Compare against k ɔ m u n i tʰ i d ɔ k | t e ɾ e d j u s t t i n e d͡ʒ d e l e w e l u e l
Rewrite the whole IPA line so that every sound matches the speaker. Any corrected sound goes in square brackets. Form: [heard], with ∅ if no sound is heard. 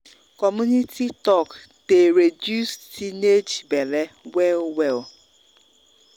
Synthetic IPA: k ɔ m u n i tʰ i [t] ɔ k | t e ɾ e d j u s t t i n e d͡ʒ [b] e l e w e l [w] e l